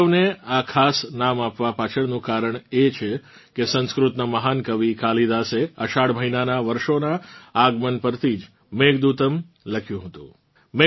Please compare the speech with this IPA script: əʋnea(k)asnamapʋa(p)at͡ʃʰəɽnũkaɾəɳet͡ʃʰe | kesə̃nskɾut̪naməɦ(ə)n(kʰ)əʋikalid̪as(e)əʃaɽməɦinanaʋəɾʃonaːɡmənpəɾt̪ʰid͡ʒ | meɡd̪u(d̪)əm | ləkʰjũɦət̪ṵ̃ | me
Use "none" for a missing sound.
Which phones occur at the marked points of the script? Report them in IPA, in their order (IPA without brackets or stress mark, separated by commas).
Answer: kʰ, p, a, k, e, t̪